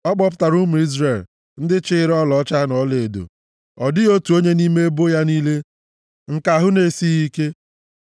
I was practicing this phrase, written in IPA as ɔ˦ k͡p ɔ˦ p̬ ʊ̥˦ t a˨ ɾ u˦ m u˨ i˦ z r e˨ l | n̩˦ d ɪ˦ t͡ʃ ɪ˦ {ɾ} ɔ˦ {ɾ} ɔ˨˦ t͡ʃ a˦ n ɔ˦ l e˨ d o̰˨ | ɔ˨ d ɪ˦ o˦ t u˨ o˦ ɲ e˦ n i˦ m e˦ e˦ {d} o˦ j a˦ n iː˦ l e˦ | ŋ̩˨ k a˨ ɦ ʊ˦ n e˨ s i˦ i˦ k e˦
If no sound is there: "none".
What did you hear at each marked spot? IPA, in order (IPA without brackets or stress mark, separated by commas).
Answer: ɾ, l, b